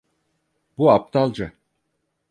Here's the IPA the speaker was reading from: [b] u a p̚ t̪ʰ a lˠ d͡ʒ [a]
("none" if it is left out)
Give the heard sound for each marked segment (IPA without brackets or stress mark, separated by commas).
b, a